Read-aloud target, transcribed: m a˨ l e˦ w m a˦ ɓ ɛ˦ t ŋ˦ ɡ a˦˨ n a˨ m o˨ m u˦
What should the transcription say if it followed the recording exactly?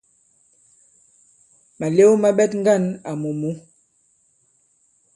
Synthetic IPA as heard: m a˨ l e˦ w m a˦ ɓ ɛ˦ t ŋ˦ ɡ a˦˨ n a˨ m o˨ m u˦